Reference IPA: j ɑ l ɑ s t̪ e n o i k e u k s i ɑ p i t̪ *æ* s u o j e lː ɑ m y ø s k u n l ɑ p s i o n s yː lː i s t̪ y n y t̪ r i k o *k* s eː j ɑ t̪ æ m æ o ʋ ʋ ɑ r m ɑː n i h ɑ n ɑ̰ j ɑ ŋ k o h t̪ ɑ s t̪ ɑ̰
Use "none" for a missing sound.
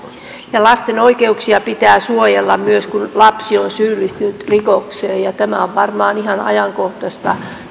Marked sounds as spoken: æː, k

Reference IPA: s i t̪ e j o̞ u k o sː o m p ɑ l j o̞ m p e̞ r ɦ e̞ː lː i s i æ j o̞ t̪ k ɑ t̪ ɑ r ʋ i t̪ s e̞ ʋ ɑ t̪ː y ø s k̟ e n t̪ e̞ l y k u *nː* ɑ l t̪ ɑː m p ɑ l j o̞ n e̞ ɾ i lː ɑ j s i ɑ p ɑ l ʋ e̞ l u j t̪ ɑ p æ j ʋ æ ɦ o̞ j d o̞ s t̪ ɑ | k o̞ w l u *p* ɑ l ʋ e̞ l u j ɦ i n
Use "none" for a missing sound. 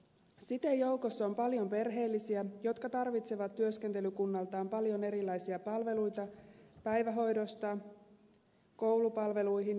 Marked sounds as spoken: nː, p

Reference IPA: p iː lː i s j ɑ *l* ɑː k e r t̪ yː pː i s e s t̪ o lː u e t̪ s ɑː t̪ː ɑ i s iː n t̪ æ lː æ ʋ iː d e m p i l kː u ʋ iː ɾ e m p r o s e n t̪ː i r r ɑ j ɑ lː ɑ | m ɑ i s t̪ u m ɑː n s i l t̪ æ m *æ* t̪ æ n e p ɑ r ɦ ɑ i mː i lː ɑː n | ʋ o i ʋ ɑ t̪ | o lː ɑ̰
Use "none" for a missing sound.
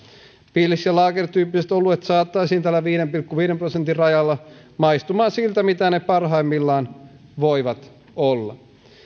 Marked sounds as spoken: l, i

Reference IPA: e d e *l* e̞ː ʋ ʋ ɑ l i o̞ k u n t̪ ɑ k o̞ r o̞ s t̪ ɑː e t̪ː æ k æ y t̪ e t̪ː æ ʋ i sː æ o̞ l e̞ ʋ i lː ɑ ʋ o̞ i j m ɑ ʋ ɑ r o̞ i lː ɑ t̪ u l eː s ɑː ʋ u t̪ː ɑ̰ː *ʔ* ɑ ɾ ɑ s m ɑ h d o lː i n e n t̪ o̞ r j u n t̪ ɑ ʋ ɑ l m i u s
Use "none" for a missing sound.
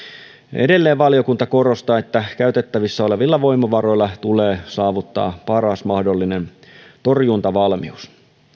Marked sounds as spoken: lː, p

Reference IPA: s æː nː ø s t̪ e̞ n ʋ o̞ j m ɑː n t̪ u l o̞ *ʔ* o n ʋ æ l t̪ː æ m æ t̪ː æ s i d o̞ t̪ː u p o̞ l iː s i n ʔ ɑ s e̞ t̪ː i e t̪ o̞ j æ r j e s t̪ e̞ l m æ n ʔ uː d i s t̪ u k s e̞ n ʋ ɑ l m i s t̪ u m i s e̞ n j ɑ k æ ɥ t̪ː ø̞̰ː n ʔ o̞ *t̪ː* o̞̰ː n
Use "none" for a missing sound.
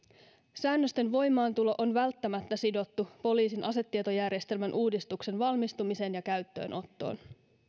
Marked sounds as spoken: ʔ, t̪ː

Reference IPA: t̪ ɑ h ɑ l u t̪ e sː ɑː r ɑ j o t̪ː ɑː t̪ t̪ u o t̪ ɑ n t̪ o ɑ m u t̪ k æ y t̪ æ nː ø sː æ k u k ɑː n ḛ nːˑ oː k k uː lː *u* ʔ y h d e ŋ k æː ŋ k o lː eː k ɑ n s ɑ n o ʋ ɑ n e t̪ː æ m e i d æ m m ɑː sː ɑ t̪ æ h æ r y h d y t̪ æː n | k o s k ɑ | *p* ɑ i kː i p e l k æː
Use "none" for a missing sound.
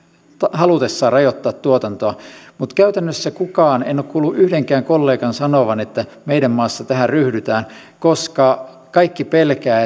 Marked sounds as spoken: u, k

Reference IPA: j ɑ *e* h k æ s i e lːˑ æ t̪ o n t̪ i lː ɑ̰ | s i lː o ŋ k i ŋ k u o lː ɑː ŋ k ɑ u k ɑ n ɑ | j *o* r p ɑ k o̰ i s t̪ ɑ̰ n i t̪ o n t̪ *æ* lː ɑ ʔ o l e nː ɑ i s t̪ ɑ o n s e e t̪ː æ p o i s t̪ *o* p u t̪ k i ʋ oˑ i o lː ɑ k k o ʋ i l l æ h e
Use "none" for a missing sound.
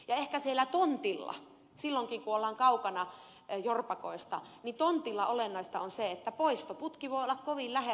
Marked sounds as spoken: e, o, i, o

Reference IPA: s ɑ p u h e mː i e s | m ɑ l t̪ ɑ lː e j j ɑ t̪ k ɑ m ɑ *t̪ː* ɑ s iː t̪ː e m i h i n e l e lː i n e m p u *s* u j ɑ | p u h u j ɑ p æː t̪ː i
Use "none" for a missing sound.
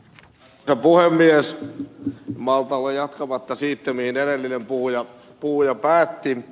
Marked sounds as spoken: t̪ː, h

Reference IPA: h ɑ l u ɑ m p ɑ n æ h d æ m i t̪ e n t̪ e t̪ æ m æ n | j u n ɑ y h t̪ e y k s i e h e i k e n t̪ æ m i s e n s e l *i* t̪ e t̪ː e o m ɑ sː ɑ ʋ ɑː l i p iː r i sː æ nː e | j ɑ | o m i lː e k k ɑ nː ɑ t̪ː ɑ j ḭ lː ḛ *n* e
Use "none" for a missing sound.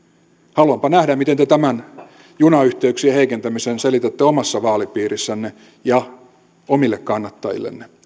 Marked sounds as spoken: i, nː

